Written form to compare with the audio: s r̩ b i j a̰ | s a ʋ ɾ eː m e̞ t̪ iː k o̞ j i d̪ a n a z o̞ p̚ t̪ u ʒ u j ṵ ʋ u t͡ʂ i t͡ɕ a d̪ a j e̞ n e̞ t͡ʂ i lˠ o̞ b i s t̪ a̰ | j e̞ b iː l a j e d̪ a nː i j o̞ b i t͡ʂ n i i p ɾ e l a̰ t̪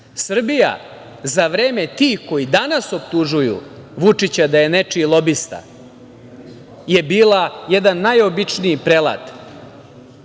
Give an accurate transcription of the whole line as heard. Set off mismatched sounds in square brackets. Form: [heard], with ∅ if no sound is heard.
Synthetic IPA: s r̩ b i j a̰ | [z] a ʋ ɾ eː m e̞ t̪ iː k o̞ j i d̪ a n a [s] o̞ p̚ t̪ u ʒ u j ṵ ʋ u t͡ʂ i t͡ɕ a d̪ a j e̞ n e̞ t͡ʂ i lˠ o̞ b i s t̪ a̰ | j e̞ b iː l a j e d̪ a nː [a] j o̞ b i t͡ʂ n i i p ɾ e l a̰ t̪